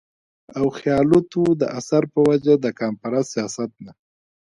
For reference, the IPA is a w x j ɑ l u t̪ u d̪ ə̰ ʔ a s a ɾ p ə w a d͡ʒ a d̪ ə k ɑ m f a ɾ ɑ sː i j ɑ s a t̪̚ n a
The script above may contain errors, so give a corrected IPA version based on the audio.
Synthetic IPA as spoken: a w x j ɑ l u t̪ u d̪ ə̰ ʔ a s a ɾ p ə w a d͡ʒ a d̪ ə k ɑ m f a ɾ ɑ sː i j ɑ s a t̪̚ n a